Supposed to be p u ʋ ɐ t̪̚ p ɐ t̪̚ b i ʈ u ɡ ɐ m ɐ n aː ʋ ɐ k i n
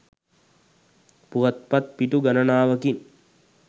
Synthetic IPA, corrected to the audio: p u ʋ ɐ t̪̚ p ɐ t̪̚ p i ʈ u ɡ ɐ n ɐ n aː ʋ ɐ k i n